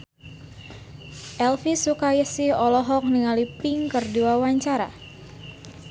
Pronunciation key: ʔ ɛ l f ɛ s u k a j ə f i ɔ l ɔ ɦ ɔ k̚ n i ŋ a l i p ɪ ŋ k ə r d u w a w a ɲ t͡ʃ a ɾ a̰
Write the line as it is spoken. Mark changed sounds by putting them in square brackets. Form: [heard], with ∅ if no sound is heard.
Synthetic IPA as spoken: ʔ ɛ l f [i] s u k a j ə [s] i ɔ l ɔ ɦ ɔ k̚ n i ŋ a l i p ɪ ŋ k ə r d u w a w a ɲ t͡ʃ a ɾ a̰